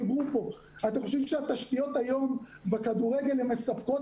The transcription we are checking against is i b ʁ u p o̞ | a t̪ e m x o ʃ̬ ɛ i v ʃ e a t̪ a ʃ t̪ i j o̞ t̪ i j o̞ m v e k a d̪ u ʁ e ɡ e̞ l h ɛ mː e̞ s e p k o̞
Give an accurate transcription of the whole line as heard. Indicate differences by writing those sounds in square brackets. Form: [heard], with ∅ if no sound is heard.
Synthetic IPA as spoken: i b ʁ u p o̞ | a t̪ e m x o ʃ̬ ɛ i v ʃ e a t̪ a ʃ t̪ i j o̞ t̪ [a] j o̞ m v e k a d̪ u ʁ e ɡ e̞ l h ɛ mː e̞ s [a] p k o̞